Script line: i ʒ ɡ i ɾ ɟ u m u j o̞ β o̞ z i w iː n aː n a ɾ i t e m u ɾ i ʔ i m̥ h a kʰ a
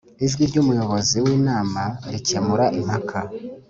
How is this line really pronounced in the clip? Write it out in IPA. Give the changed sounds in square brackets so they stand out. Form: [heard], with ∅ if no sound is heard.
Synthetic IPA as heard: i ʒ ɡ i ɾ ɟ u m u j o̞ β o̞ z i w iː n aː [m] a ɾ i [c] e m u ɾ [a] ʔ i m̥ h a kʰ a